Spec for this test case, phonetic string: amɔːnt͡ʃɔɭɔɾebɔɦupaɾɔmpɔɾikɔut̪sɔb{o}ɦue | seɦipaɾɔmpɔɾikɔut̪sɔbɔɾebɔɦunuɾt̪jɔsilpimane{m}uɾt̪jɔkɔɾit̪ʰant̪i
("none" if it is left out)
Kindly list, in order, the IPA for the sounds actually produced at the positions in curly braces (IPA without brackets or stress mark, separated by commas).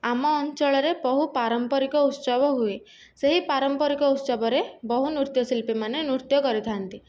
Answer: ɔ, n